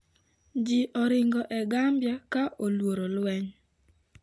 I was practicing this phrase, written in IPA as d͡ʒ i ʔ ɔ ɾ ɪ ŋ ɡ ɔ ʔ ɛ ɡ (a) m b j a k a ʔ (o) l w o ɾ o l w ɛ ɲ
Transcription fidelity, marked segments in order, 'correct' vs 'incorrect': correct, correct

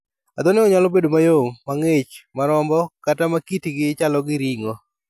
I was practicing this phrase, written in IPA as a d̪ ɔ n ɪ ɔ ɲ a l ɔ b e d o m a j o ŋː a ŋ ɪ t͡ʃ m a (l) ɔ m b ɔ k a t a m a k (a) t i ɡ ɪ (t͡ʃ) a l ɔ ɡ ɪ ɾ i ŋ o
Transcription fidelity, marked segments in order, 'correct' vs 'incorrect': incorrect: ɾ, incorrect: i, correct

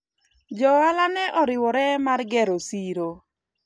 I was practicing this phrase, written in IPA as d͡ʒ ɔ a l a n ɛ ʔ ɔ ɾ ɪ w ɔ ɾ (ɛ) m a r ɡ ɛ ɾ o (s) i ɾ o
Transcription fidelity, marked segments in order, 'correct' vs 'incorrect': correct, correct

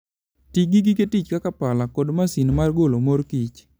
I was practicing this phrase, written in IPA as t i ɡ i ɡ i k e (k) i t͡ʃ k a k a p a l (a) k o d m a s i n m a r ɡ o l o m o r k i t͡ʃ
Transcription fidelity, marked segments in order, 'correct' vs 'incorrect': incorrect: t, correct

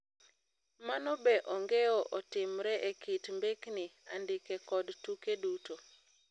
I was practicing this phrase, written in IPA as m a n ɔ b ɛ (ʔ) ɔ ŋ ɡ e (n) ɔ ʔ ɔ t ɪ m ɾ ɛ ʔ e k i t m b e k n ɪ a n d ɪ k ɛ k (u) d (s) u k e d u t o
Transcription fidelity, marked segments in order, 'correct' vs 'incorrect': correct, incorrect: none, incorrect: ɔ, incorrect: t

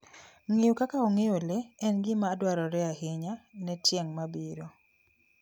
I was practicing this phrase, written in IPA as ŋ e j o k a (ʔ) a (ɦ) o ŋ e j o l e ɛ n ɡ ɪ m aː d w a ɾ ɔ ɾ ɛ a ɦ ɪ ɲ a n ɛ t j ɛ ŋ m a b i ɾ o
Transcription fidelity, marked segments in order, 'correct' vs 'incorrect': incorrect: k, incorrect: none

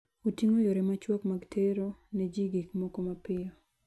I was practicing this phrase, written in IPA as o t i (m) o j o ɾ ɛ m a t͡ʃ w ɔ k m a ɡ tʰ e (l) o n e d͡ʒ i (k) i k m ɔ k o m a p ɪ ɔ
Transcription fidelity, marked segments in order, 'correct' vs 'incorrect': incorrect: ŋ, incorrect: ɾ, incorrect: ɡ

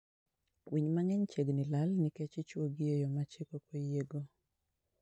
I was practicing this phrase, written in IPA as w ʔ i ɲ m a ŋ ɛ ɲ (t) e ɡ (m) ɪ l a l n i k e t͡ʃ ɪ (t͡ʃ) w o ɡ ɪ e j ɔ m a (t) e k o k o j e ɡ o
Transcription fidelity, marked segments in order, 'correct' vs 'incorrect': incorrect: t͡ʃ, incorrect: n, correct, incorrect: t͡ʃ

